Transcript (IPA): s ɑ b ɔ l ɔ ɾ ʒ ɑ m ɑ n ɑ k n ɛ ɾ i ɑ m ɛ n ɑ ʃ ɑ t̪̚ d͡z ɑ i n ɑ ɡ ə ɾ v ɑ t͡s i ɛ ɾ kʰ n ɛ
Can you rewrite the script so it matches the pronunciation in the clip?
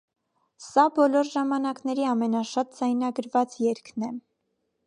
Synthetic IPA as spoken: s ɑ b ɔ l ɔ ɾ ʒ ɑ m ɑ n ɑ k n ɛ ɾ i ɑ m ɛ n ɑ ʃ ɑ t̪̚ d͡z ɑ j n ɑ ɡ ə ɾ v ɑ t͡s j ɛ ɾ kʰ n ɛ